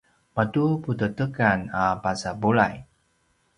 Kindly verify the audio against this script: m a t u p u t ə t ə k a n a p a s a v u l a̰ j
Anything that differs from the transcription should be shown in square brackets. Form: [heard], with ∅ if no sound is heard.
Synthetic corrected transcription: m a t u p u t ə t ə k a n a p a s a [b] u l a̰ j

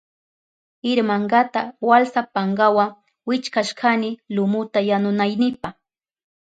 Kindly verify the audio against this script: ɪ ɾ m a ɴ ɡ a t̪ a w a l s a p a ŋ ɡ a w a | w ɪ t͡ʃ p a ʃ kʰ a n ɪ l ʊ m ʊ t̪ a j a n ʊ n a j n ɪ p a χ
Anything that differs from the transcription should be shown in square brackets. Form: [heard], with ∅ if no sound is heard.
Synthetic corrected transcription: ɪ ɾ m a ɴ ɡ a t̪ a w a l s a p a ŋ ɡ a w a | w ɪ t͡ʃ [k] a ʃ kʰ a n ɪ l ʊ m ʊ t̪ a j a n ʊ n a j n ɪ p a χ

